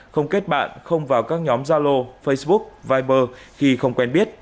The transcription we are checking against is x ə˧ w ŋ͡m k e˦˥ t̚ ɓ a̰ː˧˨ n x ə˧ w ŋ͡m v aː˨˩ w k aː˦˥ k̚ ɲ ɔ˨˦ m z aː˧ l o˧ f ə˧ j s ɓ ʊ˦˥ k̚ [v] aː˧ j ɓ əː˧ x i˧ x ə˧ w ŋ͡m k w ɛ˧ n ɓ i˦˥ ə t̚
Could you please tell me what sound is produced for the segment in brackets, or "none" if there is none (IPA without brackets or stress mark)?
v